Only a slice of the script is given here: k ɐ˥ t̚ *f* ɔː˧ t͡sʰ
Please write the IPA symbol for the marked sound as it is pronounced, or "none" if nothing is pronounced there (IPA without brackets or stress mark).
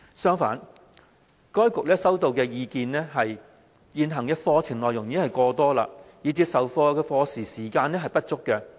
f